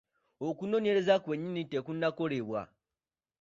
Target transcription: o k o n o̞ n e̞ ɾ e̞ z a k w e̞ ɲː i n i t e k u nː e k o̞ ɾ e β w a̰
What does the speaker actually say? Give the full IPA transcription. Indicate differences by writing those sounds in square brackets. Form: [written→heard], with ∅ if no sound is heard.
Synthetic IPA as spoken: o k [o→u] n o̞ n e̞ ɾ e̞ z a k w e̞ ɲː i n i t e k u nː [e→a] k o̞ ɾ e β w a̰